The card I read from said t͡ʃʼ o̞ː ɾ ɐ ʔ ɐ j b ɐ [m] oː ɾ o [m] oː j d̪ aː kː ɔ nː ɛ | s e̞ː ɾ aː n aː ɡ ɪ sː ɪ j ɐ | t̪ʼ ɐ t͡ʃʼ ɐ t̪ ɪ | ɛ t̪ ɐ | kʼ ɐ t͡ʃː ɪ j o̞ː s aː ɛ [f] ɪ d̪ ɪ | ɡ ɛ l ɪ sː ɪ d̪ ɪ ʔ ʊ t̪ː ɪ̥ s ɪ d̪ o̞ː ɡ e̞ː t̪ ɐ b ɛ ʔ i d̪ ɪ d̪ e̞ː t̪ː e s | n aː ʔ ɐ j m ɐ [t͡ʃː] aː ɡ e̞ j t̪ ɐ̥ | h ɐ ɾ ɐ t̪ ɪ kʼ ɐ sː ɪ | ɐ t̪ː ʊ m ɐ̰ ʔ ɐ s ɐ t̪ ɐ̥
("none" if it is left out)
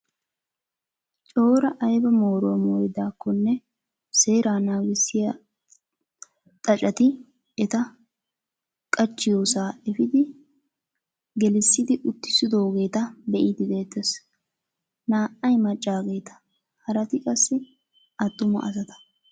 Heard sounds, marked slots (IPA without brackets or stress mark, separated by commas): m, m, f, t͡ʃʼː